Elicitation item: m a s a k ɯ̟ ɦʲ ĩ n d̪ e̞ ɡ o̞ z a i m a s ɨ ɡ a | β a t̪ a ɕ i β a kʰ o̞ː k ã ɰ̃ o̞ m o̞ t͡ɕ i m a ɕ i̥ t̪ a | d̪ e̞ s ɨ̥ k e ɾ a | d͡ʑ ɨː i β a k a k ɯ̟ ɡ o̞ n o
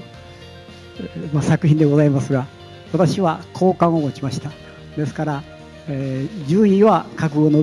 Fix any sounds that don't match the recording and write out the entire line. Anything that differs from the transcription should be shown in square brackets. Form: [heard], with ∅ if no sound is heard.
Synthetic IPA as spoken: m a s a k ɯ̟ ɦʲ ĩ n d̪ e̞ ɡ o̞ z a i m a s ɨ ɡ a | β a t̪ a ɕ i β a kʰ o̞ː k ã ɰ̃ o̞ m o̞ t͡ɕ i m a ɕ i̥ t̪ a | d̪ e̞ s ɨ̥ k [a] ɾ a | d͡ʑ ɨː i β a k a k ɯ̟ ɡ o̞ n o